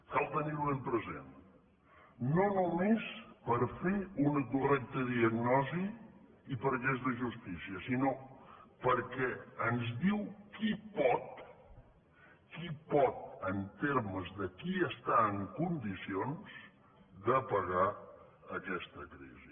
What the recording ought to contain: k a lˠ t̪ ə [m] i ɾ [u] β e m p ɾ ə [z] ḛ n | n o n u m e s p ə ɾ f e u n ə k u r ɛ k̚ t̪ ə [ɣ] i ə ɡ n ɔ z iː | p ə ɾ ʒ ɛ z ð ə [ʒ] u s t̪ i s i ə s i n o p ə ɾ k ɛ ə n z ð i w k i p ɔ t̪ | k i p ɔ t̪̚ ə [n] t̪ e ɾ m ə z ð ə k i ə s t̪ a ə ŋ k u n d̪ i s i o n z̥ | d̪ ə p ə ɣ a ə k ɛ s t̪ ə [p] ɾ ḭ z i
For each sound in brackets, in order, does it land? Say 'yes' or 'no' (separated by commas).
no, yes, yes, no, yes, yes, no